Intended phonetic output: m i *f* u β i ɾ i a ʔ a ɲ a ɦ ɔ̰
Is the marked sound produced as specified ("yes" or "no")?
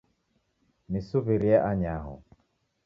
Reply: no